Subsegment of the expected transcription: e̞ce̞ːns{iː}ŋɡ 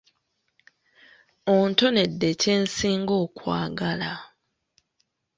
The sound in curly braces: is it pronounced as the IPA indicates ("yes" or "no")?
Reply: yes